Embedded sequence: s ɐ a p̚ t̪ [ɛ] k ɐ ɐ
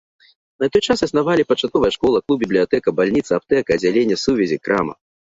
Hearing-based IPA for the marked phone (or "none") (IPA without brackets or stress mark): ɛ